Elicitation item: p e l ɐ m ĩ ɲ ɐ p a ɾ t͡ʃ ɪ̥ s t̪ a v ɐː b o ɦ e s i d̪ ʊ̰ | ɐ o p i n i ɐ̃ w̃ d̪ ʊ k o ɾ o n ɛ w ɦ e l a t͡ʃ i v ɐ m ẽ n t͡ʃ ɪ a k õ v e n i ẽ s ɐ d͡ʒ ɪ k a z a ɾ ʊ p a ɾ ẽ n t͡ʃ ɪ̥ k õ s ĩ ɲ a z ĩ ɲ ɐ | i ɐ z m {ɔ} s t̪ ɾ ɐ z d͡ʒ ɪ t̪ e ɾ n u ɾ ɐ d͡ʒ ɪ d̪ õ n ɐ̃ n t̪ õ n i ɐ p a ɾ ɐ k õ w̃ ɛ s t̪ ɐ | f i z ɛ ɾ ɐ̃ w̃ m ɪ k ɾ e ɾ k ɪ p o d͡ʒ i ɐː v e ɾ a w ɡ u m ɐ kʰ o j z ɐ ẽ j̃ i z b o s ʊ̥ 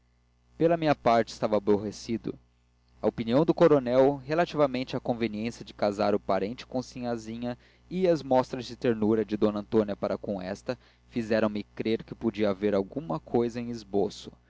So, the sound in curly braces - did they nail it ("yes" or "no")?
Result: yes